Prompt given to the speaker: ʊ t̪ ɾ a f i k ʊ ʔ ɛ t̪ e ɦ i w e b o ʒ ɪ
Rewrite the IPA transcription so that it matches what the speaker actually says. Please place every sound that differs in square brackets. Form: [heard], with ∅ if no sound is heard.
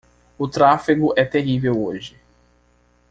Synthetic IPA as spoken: ʊ t̪ ɾ a f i [ɡ] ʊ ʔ ɛ t̪ e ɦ i [v] e [w] o ʒ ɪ